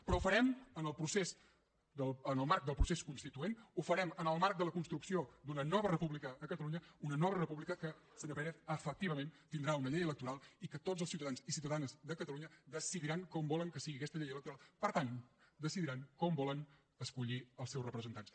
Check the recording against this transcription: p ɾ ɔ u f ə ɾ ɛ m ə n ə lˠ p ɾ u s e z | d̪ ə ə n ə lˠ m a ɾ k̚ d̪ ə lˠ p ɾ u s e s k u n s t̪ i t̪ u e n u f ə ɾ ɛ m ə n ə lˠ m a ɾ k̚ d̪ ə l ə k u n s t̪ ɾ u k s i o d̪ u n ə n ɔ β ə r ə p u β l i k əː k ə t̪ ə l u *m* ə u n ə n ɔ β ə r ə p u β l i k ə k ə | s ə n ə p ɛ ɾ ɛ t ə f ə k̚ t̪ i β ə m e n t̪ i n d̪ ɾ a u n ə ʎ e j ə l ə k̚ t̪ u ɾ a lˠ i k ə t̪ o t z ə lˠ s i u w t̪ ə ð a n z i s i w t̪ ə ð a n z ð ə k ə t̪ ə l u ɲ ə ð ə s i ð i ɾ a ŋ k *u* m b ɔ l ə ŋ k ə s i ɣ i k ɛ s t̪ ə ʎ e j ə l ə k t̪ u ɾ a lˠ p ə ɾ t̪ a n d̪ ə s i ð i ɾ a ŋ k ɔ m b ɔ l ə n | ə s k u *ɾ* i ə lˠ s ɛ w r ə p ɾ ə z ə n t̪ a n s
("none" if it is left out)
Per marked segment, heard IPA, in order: ɲ, ɔ, ʎ

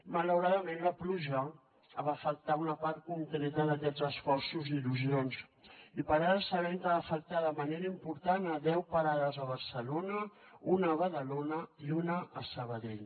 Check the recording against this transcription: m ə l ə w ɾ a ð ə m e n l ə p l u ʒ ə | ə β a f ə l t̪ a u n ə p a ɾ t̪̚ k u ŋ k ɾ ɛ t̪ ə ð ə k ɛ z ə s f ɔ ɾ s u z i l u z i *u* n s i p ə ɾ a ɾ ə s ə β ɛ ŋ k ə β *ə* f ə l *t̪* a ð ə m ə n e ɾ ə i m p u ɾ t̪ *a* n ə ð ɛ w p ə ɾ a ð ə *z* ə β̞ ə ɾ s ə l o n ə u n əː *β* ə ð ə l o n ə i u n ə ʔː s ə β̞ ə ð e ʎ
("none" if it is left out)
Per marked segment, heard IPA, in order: o, a, t̪, a, z, β

